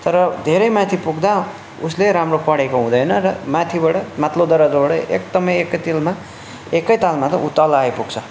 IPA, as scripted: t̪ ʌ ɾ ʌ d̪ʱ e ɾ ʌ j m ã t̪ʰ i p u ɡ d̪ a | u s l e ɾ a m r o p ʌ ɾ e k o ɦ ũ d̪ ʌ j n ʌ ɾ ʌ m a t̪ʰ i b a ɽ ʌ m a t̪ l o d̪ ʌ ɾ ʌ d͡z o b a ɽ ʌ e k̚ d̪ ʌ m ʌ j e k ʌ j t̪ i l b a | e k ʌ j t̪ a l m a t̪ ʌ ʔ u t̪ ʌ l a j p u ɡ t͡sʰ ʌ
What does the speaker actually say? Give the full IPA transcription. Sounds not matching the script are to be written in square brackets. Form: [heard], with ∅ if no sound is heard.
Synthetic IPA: t̪ ʌ ɾ ʌ d̪ʱ e ɾ ʌ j m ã t̪ʰ i p u ɡ d̪ a | u s l e ɾ a m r o p ʌ [ɽ] e k o ɦ ũ d̪ ʌ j n ʌ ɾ ʌ m a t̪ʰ i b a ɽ ʌ m a t̪ l o d̪ ʌ ɾ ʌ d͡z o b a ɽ ʌ e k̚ d̪ ʌ m ʌ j e k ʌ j t̪ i l [m] a | e k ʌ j t̪ a l m a t̪ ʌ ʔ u t̪ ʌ l a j p u ɡ t͡sʰ ʌ